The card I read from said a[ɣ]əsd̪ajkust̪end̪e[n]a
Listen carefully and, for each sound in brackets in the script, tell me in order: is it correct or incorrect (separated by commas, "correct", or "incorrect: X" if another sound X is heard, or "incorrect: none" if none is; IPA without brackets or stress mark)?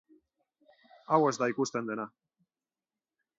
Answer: incorrect: w, correct